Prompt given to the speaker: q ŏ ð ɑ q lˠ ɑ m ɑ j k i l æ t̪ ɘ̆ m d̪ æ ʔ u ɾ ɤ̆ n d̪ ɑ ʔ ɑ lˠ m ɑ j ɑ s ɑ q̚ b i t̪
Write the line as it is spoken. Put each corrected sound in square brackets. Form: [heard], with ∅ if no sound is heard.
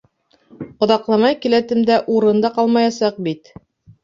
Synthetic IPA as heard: q ŏ ð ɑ q lˠ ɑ m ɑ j k i l æ t̪ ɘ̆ m d̪ æ ʔ u ɾ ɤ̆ n d̪ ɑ [q] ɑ lˠ m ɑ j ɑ s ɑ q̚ b i t̪

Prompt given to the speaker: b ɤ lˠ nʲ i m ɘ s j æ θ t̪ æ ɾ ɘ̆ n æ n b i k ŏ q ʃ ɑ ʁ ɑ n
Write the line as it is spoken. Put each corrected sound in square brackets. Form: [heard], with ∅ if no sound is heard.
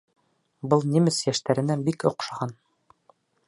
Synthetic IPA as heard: b ɤ lˠ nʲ i m ɘ s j æ [ʃ] t̪ æ ɾ ɘ̆ n æ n b i k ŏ q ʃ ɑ ʁ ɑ n

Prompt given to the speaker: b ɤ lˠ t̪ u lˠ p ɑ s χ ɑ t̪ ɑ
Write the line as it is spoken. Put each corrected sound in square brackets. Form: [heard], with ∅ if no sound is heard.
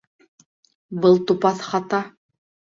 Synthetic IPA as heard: b ɤ lˠ t̪ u [∅] p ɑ [θ] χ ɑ t̪ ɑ

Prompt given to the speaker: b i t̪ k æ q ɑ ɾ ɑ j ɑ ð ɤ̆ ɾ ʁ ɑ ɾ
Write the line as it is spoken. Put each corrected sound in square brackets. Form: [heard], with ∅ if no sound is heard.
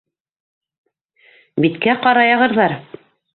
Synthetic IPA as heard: b i t̪ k æ q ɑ ɾ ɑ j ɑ [ʁ] ɤ̆ ɾ [ð] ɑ ɾ

